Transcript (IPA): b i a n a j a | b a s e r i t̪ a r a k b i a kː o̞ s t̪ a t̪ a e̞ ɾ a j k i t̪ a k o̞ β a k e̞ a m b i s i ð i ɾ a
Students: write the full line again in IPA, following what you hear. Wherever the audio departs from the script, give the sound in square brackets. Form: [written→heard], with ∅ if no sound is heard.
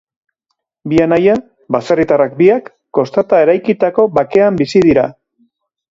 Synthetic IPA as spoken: b i a n a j a | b a s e r i t̪ a r a k b i a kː o̞ s t̪ a t̪ a e̞ ɾ a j k i t̪ a k o̞ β a k e̞ a m b i s i ð i ɾ a